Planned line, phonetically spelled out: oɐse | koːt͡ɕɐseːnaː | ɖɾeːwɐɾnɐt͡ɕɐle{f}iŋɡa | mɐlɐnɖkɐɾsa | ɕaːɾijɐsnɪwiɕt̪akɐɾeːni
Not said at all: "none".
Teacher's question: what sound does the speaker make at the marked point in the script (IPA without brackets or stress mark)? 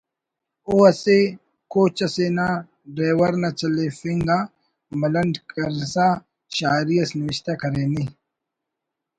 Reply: f